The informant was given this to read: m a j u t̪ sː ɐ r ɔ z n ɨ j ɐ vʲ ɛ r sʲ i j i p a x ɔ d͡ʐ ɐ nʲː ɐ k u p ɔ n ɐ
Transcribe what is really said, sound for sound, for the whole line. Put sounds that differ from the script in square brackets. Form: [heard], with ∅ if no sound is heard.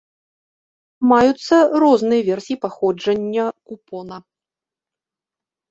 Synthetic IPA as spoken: m a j u t̪ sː ɐ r ɔ z n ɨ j ɐ vʲ ɛ r sʲ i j i p a x ɔ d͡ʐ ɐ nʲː ɐ k u p ɔ n ɐ